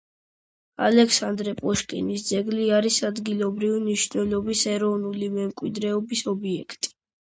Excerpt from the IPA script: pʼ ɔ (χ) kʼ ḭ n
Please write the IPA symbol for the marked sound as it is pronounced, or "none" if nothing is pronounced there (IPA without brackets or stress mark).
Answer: ʃ